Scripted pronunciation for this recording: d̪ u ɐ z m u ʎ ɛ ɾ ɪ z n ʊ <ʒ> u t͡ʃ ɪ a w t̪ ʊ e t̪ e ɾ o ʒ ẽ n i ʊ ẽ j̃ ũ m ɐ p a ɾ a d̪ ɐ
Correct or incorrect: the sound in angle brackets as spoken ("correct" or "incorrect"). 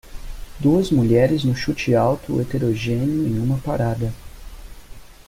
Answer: incorrect